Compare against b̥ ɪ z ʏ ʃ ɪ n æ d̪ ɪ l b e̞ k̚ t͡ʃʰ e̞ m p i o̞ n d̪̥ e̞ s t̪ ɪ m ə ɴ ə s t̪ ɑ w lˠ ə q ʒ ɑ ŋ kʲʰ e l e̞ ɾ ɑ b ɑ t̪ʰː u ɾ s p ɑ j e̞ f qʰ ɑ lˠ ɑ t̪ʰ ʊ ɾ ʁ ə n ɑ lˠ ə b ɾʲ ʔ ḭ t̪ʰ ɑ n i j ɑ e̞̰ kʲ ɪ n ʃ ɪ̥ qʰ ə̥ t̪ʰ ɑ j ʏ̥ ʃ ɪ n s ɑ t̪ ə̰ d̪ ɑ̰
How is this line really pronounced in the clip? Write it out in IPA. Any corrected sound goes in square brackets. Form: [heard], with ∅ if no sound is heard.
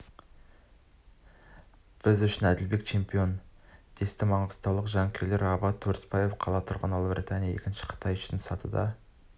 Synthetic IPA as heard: b̥ ɪ z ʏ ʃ ɪ n æ d̪ ɪ l b e̞ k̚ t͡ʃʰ e̞ m p i o̞ n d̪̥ e̞ s t̪ ɪ m [ɑ] ɴ ə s t̪ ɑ w lˠ ə q ʒ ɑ ŋ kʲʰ e l e̞ ɾ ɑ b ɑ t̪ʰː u ɾ s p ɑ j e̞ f qʰ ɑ lˠ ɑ t̪ʰ ʊ ɾ ʁ ə n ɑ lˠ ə b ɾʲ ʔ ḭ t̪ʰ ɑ n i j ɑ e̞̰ kʲ ɪ n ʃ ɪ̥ qʰ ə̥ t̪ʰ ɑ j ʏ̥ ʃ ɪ n s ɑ t̪ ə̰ d̪ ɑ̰

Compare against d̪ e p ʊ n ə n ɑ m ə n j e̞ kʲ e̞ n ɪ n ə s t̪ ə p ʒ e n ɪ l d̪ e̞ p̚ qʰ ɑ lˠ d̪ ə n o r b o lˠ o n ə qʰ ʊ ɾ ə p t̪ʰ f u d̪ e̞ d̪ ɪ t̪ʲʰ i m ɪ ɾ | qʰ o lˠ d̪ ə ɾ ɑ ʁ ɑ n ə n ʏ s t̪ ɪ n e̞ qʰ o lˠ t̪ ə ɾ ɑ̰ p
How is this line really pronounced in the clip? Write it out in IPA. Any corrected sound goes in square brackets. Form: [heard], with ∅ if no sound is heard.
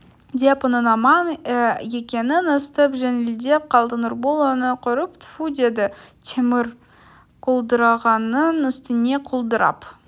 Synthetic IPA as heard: d̪ e p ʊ n ə n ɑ m [ɑ] n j e̞ kʲ e̞ n ɪ n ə s t̪ ə p ʒ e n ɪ l d̪ e̞ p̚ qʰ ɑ lˠ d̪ ə n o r b o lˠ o n ə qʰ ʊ ɾ ə p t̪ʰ f u d̪ e̞ d̪ ɪ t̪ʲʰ [e] m ɪ ɾ | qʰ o lˠ d̪ ə ɾ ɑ ʁ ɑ n ə n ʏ s t̪ ɪ n e̞ qʰ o lˠ [d̪] ə ɾ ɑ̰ p

